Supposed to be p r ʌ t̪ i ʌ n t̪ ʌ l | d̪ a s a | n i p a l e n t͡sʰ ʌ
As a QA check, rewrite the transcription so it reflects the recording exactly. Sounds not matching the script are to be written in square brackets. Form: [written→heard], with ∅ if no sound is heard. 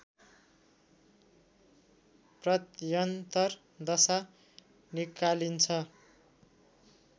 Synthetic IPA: p r ʌ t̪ [i→j] ʌ n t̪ ʌ [l→r] | d̪ [a→ʌ] s a | n i [p→k] a l [e→i] n t͡sʰ ʌ